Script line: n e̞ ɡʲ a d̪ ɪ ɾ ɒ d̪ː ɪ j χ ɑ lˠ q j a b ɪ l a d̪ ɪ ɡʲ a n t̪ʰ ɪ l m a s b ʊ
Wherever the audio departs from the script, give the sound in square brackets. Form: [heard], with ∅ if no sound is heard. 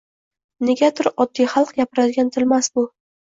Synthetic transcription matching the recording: n e̞ ɡʲ a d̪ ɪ ɾ ɒ d̪ː [i] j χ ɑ lˠ q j a [p] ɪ [ɾ] a d̪ ɪ ɡʲ a n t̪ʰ ɪ l m a s b ʊ